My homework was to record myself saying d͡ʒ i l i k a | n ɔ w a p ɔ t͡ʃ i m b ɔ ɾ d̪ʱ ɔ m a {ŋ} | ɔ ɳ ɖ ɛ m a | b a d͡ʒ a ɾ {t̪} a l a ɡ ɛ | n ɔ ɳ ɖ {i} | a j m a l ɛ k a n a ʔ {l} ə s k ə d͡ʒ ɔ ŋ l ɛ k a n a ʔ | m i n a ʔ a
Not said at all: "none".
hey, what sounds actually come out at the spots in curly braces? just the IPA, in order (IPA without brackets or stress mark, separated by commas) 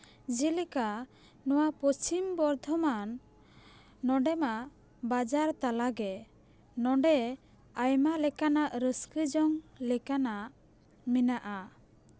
n, t̪, ɛ, ɾ